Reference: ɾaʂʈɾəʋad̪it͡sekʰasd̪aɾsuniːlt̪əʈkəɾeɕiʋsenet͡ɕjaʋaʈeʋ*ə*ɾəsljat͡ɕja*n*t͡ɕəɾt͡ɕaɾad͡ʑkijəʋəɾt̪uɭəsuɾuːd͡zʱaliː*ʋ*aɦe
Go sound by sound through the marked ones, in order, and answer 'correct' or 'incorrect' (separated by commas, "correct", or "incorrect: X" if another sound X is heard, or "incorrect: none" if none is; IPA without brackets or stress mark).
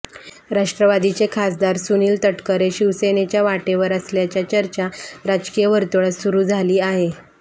correct, incorrect: none, incorrect: none